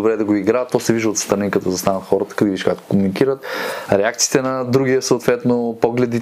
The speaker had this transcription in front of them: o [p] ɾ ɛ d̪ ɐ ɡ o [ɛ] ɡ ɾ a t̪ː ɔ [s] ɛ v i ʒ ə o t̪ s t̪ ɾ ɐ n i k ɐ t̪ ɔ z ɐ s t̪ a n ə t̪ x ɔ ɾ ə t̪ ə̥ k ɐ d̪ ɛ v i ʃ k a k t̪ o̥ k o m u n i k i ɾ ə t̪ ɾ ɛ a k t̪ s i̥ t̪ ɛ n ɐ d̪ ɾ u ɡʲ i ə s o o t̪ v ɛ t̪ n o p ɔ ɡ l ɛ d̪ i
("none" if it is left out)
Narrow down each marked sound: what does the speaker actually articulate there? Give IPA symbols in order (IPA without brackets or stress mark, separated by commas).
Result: b, i, s